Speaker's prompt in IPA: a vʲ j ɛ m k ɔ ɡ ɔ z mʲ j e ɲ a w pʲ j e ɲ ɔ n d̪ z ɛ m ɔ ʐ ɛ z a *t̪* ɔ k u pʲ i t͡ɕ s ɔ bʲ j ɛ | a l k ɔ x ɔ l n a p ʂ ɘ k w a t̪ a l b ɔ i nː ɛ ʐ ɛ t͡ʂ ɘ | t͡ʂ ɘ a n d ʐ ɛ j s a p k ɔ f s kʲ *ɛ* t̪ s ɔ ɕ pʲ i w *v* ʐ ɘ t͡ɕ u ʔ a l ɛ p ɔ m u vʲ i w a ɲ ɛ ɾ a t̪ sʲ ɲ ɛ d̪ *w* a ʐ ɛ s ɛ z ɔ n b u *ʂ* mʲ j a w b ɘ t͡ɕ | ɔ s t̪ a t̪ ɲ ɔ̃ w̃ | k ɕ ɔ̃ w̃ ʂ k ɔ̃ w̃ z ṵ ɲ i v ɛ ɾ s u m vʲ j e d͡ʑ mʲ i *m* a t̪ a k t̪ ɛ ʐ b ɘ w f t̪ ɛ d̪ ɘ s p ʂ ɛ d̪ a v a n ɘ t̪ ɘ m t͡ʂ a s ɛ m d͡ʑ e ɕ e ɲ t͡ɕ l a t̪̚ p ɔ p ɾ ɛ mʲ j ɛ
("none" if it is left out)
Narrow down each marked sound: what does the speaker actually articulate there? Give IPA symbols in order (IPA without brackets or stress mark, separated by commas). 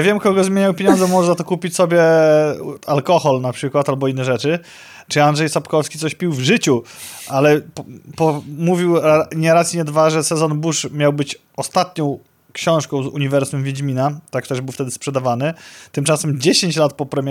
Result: t̪, i, v, v, ʂ, n